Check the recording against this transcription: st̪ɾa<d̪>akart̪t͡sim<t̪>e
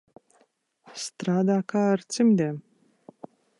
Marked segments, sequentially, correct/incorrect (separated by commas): correct, incorrect